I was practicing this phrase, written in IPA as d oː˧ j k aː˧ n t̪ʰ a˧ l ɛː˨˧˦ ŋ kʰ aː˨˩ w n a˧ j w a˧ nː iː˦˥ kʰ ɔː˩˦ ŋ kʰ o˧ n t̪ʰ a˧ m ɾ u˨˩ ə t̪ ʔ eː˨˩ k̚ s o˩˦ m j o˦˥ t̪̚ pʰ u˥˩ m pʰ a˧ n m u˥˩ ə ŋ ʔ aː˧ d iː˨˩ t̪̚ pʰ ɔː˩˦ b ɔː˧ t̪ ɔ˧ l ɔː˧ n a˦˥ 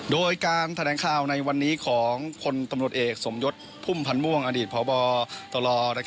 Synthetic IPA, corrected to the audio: d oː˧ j k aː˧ n t̪ʰ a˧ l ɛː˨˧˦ ŋ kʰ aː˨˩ w n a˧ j w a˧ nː iː˦˥ kʰ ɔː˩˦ ŋ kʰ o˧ n t̪ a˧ m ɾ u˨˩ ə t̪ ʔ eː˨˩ k̚ s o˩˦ m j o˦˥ t̪̚ pʰ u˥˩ m pʰ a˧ n m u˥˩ ə ŋ ʔ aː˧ d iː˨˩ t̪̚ pʰ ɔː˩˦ b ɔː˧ t̪ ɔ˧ l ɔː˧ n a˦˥